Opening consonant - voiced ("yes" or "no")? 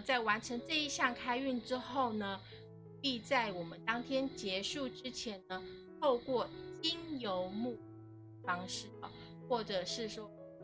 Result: no